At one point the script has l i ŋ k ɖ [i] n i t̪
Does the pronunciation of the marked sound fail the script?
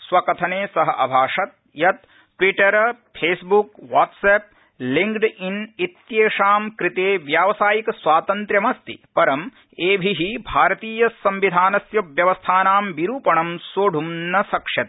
no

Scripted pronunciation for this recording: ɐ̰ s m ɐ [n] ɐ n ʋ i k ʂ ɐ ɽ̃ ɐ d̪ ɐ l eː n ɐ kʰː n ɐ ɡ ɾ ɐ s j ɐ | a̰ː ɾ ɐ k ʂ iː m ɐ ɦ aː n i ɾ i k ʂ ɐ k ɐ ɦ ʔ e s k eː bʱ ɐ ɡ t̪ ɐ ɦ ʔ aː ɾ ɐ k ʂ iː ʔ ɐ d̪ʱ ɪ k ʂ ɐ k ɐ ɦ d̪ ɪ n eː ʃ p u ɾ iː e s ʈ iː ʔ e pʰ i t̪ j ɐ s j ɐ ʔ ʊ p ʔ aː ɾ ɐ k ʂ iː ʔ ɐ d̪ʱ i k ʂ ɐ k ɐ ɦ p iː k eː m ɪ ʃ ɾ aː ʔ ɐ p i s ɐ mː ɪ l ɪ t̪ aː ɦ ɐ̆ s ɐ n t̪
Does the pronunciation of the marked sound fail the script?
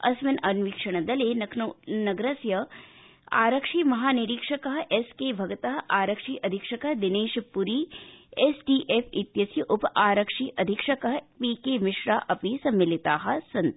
no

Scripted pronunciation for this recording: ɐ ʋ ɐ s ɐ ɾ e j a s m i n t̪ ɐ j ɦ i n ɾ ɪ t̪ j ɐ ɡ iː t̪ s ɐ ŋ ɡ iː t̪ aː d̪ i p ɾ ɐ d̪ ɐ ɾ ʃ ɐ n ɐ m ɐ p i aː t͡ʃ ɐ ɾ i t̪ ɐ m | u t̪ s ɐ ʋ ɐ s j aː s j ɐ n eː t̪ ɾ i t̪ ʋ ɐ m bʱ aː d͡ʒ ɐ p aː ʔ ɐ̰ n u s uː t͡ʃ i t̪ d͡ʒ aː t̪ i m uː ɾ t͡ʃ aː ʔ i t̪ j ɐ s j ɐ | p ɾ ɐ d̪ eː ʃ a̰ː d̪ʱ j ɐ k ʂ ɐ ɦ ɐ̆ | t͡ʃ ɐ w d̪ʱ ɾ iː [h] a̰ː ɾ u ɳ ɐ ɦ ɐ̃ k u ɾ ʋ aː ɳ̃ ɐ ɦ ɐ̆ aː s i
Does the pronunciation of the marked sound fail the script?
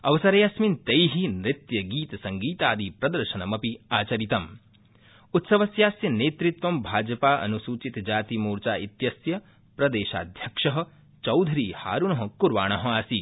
no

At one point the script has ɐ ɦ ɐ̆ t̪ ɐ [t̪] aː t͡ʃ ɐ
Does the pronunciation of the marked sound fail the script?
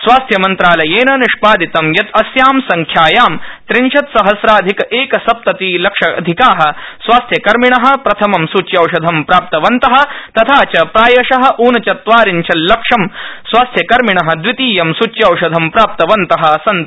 yes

